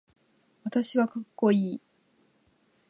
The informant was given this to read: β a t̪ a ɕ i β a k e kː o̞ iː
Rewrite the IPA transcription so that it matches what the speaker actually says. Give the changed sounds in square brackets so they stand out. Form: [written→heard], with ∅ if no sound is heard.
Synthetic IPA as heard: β a t̪ a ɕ i β a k [e→a] kː o̞ iː